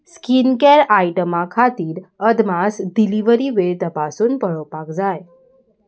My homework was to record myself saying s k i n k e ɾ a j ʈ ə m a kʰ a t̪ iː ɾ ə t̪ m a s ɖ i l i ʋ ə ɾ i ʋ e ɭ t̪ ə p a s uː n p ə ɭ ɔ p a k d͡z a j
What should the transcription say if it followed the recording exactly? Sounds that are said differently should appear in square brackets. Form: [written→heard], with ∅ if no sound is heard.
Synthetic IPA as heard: s k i n k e ɾ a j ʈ ə m a kʰ a t̪ iː ɾ ə [t̪→d̪] m a s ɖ i l i ʋ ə ɾ i ʋ e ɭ t̪ ə p a s uː n p ə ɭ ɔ p a k d͡z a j